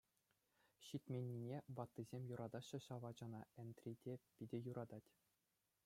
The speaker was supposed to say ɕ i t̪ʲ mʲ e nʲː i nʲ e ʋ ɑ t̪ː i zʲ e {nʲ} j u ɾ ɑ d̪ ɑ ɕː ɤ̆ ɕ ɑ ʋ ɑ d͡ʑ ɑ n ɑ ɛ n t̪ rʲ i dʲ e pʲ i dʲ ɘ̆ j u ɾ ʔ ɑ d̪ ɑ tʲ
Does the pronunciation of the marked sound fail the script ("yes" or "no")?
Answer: yes